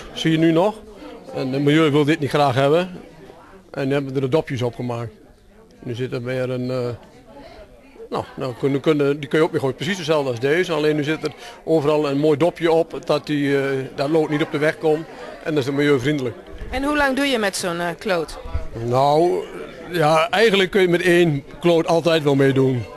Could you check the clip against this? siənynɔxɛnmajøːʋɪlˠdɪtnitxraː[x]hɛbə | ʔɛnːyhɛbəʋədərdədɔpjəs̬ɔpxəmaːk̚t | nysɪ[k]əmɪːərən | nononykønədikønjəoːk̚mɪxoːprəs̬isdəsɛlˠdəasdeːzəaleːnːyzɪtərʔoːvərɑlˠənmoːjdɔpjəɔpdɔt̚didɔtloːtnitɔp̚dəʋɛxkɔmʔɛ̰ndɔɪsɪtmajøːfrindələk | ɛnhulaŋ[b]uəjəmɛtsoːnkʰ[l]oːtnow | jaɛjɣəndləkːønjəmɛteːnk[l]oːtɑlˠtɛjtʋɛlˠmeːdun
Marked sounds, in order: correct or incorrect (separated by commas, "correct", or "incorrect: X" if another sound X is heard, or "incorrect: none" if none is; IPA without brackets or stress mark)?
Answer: correct, incorrect: t, incorrect: d, correct, correct